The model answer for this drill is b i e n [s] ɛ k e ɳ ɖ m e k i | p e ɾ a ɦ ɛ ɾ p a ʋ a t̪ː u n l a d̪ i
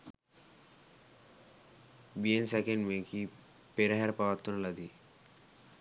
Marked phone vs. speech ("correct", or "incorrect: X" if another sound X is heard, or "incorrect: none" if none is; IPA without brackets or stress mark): correct